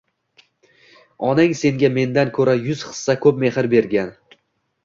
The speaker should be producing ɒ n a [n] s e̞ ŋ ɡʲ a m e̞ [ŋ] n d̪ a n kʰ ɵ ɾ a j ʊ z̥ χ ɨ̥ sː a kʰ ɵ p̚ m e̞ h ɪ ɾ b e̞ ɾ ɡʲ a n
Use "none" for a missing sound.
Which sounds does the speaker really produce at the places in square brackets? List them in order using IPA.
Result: ŋ, none

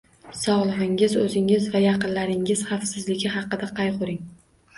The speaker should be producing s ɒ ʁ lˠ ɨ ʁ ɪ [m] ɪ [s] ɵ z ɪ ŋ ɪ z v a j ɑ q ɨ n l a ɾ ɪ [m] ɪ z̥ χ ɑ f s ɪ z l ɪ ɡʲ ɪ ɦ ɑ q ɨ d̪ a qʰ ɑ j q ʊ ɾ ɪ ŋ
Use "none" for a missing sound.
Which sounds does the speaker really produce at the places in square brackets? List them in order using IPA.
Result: ŋ, z, ŋ

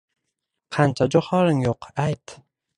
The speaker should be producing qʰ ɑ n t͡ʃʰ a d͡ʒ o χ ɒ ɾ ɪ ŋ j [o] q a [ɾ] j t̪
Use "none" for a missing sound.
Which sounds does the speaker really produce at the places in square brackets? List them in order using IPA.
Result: o, none

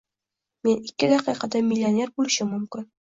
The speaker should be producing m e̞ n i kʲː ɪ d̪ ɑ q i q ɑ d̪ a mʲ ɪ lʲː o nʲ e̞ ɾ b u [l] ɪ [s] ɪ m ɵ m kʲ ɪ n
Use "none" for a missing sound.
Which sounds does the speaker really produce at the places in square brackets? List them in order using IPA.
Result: l, ʃ

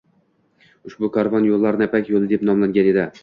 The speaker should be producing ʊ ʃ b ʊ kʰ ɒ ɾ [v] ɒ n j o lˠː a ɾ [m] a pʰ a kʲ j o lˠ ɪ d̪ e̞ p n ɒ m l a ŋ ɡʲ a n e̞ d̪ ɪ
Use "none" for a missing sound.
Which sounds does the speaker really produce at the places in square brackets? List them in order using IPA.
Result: v, n

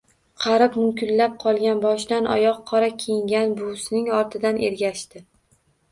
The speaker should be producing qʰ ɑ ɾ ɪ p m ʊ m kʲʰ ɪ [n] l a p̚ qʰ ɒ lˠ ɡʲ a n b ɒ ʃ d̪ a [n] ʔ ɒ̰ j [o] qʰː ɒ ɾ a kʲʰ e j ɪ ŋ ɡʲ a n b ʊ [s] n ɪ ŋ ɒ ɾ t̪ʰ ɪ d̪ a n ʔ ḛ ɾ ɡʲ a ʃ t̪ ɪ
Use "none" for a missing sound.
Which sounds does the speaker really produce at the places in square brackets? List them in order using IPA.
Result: n, n, ɒ, s

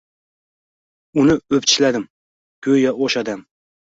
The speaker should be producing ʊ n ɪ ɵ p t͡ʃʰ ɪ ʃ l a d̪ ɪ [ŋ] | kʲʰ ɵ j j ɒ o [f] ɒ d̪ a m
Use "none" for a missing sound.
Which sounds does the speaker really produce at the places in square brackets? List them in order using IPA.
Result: m, ʃ

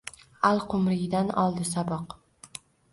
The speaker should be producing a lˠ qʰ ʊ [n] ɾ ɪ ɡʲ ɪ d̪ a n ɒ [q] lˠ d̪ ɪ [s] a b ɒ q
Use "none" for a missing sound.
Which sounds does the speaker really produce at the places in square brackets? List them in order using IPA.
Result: m, none, s

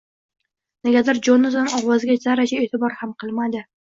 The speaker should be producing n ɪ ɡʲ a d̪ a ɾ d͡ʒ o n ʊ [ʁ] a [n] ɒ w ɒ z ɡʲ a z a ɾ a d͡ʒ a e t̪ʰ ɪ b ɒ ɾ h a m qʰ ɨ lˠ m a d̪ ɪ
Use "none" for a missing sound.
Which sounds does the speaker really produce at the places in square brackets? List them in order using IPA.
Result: z, n

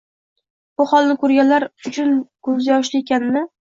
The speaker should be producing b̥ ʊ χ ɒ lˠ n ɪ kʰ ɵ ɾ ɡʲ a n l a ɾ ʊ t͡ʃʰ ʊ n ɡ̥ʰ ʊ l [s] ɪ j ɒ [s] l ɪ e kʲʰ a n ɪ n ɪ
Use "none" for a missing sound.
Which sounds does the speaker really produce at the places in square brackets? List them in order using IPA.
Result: z, ʃ

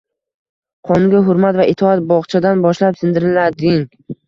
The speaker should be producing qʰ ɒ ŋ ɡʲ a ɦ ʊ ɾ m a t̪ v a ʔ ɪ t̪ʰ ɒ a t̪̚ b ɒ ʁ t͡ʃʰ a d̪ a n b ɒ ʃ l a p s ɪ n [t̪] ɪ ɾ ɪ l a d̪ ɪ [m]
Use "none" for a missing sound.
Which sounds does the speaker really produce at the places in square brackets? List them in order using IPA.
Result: d̪, ŋ

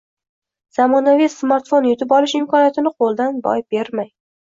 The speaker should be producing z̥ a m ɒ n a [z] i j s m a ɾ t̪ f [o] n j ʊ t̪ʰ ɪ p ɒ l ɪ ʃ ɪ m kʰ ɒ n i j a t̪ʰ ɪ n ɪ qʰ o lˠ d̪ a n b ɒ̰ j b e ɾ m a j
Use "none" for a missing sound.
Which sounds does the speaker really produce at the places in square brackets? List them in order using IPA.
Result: v, o

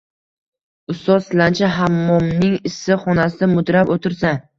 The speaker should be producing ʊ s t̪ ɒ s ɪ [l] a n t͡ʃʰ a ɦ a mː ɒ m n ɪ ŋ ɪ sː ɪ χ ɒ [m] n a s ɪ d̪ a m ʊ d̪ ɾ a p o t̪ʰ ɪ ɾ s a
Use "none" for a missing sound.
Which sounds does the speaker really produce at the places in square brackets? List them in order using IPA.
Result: l, none

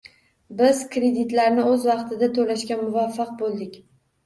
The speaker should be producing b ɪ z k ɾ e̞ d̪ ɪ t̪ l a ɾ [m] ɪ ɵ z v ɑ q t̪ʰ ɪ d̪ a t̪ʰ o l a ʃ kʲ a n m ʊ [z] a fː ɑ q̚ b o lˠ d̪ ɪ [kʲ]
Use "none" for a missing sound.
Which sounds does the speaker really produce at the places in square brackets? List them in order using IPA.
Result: n, v, kʲ

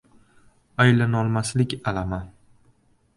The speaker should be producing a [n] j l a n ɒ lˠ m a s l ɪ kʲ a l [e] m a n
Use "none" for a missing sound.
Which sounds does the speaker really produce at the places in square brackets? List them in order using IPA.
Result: none, a

